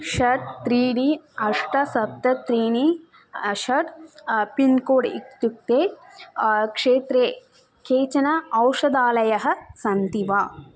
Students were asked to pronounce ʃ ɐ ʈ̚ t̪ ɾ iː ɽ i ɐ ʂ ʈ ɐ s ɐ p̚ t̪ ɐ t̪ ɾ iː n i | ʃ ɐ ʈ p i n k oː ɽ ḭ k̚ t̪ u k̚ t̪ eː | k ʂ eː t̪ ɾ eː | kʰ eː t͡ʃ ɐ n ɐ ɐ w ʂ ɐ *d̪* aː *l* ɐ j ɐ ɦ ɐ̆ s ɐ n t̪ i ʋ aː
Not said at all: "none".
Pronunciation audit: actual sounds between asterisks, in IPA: d̪, l

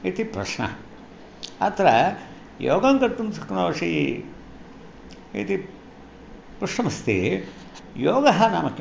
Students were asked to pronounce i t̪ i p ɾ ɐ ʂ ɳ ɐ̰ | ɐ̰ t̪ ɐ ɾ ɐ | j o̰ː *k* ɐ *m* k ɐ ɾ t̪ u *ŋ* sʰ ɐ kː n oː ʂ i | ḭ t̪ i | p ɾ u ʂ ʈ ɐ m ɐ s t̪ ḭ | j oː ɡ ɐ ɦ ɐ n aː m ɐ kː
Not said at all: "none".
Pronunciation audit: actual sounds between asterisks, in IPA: ɡ, ŋ, m

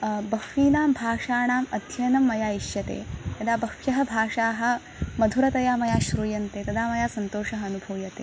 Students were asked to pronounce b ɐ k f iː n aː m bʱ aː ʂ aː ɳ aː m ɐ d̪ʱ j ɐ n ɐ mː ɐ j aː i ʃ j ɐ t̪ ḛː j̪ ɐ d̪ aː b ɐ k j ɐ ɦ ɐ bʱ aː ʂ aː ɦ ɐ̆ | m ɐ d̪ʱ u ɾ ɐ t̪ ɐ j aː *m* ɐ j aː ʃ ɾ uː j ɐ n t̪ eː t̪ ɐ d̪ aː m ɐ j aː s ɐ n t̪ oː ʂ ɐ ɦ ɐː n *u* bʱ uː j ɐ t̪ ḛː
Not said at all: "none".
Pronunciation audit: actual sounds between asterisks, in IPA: m, u

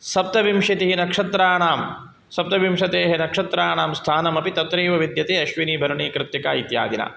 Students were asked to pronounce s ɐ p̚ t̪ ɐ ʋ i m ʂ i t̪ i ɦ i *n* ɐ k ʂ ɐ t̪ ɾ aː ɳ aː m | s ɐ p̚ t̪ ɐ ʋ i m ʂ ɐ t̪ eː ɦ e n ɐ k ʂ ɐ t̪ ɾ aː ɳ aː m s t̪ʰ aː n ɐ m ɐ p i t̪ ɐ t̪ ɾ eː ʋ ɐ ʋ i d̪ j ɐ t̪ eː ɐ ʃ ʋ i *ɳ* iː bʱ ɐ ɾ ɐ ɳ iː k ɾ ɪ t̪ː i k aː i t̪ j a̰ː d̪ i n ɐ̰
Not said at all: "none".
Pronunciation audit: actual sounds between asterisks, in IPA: n, n

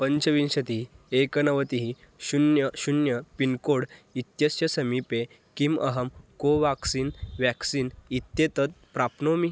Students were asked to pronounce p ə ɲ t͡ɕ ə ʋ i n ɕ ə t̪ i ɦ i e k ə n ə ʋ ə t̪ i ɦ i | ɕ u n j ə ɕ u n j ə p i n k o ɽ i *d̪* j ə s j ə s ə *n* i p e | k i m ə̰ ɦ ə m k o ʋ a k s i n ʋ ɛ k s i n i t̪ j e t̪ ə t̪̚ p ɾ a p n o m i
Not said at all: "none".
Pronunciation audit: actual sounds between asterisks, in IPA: t̪, m

